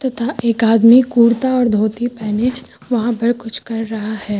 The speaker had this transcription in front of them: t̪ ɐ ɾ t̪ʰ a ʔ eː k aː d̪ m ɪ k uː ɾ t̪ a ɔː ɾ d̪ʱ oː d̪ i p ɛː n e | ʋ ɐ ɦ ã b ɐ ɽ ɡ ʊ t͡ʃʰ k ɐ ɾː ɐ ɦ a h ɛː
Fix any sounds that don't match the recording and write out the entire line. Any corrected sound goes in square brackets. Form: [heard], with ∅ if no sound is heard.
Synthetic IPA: t̪ ɐ [∅] t̪ʰ a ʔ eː k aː d̪ m [i] k uː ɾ t̪ a ɔː ɾ d̪ʱ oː [t̪] i p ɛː n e | ʋ ɐ ɦ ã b ɐ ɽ [k] ʊ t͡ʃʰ k ɐ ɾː ɐ ɦ a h ɛː